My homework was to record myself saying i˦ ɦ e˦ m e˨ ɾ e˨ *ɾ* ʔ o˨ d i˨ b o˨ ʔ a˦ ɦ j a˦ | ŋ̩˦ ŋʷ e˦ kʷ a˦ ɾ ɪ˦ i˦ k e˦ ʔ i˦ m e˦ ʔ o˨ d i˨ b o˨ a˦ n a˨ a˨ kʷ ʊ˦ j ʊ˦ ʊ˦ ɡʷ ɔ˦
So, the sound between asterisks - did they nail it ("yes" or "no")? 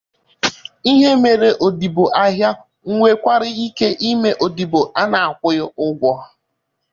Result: no